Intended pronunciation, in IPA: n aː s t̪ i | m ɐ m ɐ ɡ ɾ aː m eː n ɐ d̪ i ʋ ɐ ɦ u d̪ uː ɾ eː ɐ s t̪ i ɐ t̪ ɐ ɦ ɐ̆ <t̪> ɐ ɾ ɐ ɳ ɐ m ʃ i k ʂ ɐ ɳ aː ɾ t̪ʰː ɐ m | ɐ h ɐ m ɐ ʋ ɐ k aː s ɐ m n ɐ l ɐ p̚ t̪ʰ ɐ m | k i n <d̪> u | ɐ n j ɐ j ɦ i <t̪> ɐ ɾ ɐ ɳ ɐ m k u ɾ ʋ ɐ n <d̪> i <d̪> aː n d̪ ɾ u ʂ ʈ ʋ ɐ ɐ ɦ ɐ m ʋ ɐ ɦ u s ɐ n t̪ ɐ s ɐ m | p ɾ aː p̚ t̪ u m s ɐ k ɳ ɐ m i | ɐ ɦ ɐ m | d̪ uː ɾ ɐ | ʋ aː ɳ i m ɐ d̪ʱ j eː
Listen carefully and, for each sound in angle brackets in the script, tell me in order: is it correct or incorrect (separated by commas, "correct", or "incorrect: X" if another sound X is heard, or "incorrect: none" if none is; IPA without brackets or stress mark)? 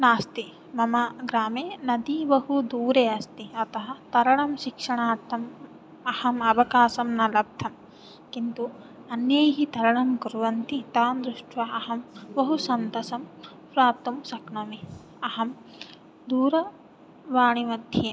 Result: correct, incorrect: t̪, correct, incorrect: t̪, incorrect: t̪